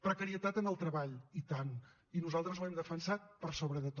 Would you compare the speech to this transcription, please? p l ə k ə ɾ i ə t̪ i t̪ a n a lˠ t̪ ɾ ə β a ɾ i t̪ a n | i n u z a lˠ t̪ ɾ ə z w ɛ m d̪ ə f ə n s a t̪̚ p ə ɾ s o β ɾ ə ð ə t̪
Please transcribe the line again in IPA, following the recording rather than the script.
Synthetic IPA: p ɾ ə k ə ɾ i ə t̪ a t̪ ə n ə lˠ t̪ ɾ ə β a ʎ i t̪ a n | i n u z a lˠ t̪ ɾ ə z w ɛ m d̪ ə f ə n s a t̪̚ p ə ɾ s o β ɾ ə ð ə t̪